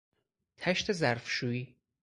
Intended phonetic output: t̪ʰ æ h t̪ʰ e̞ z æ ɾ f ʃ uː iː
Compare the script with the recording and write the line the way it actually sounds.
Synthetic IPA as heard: t̪ʰ æ ʃ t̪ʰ e̞ z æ ɾ f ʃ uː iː